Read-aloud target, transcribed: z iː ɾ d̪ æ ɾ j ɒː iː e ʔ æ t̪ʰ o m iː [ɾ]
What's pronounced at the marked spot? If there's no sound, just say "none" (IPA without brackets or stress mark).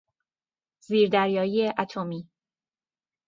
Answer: none